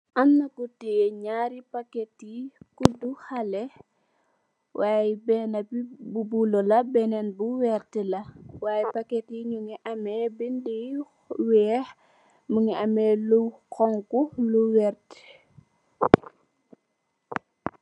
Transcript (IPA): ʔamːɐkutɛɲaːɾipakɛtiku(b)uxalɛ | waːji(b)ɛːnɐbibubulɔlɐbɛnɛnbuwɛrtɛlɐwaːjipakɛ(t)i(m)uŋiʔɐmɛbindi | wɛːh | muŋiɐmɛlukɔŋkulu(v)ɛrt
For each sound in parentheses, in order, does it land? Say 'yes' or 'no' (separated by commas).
no, yes, yes, no, no